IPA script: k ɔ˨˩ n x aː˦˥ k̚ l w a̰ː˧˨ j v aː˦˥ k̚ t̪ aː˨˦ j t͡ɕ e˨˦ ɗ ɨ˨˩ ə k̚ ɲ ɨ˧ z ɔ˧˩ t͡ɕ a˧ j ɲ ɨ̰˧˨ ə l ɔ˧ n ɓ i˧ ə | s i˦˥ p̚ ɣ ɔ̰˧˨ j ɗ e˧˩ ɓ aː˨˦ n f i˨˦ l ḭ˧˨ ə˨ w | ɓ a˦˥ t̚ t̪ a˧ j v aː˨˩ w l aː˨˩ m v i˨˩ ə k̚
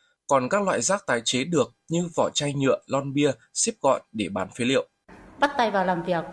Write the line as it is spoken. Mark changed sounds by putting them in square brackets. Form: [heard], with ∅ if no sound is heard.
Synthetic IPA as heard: k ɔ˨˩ n [k] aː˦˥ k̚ l w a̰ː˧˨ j [z] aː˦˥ k̚ t̪ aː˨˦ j t͡ɕ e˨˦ ɗ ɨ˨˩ ə k̚ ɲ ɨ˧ [v] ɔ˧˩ t͡ɕ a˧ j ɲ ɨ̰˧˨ ə l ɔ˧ n ɓ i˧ ə | s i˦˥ p̚ ɣ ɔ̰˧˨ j ɗ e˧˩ ɓ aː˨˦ n f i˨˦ l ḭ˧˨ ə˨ w | ɓ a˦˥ t̚ t̪ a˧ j v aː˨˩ w l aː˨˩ m v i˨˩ ə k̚